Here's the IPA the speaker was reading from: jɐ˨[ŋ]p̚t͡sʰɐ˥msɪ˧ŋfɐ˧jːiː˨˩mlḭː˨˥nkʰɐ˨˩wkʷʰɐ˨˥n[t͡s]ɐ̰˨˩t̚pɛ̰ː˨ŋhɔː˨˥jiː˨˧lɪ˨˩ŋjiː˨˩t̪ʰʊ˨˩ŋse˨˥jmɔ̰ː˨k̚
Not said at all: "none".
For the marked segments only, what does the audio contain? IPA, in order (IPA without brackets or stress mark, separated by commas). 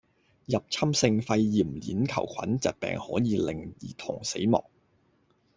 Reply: none, t͡s